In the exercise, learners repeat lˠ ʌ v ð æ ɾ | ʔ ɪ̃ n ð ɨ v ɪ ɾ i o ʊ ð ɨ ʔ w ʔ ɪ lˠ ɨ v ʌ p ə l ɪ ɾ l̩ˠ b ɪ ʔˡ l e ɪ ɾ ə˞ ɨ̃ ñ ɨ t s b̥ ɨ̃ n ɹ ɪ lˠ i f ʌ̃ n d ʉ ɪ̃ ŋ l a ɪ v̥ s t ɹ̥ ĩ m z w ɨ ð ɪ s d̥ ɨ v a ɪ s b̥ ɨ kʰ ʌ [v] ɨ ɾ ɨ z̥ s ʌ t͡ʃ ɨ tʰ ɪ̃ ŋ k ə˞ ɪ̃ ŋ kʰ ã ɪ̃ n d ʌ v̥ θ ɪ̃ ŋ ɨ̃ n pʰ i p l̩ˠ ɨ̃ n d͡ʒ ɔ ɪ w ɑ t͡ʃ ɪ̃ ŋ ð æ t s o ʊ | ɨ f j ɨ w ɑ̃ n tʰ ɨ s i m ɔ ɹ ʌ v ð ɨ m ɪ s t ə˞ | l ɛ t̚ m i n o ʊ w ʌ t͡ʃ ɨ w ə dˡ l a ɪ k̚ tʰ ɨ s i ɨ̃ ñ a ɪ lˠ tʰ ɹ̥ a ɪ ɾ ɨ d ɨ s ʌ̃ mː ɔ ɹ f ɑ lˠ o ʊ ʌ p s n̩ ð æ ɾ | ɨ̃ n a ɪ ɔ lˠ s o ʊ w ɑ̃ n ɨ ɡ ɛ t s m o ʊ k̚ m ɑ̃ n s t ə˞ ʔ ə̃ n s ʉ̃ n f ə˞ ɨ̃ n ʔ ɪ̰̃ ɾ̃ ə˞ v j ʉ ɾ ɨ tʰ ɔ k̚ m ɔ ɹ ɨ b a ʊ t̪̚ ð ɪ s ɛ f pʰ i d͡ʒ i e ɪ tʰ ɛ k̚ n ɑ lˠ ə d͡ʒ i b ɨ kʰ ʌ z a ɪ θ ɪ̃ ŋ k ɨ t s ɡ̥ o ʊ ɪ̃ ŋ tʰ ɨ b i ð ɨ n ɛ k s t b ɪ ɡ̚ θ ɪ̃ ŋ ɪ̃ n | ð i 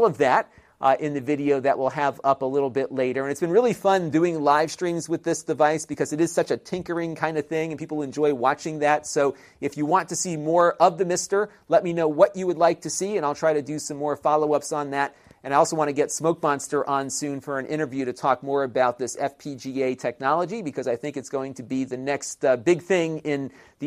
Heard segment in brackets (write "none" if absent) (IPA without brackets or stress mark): z